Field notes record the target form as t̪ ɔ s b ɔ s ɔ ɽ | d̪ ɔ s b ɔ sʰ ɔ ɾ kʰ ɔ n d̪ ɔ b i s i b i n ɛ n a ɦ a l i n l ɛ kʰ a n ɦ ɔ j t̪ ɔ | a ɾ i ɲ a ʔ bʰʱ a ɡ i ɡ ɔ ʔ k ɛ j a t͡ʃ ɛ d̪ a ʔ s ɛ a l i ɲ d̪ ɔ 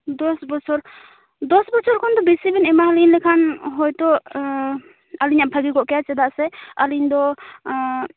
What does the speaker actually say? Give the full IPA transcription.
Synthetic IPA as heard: d̪ ɔ s b ɔ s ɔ ɾ | d̪ ɔ s b ɔ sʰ ɔ ɾ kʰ ɔ n d̪ ɔ b i s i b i n ɛ m a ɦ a l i n l ɛ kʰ a n ɦ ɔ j t̪ ɔ | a l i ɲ a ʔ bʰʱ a ɡ i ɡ ɔ ʔ k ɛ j a t͡ʃ ɛ d̪ a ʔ s ɛ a l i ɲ d̪ ɔ